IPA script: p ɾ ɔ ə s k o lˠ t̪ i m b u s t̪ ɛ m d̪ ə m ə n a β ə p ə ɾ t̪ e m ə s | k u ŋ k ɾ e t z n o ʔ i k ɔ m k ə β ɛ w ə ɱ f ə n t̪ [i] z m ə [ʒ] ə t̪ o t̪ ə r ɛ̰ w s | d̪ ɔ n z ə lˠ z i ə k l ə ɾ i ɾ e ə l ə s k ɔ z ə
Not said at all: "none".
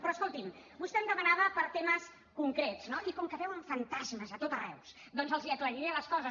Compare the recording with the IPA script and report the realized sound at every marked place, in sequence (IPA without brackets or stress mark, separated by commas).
a, z